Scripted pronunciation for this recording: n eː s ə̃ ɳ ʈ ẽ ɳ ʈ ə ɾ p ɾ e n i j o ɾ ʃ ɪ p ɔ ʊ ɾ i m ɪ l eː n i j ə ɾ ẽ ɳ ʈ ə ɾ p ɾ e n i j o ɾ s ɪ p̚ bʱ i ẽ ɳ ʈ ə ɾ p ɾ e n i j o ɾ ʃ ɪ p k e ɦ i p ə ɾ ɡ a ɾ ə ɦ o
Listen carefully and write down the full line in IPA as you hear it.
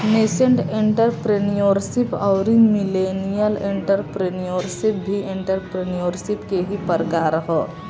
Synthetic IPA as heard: n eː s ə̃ ɳ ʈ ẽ ɳ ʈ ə ɾ p ɾ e n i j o ɾ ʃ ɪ p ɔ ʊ ɾ i m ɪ l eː n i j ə l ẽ ɳ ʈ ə ɾ p ɾ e n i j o ɾ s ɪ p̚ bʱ i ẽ ɳ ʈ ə ɾ p ɾ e n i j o ɾ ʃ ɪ p k e ɦ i p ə ɾ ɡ a ɾ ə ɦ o